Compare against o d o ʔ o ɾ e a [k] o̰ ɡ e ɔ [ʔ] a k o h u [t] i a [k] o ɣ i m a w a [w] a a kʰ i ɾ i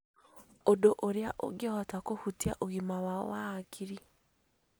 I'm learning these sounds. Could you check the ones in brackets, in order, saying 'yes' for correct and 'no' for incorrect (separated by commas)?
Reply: no, no, yes, no, yes